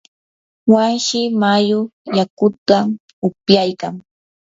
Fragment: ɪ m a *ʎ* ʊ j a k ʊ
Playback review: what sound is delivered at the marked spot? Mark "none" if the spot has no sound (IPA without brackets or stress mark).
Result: j